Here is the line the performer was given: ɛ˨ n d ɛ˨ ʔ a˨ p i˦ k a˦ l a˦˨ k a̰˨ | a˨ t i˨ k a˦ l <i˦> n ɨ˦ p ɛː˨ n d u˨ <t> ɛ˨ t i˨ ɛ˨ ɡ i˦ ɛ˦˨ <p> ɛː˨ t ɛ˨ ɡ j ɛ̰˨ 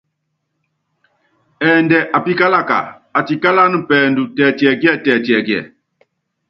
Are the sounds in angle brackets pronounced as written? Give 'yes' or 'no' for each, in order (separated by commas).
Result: no, yes, no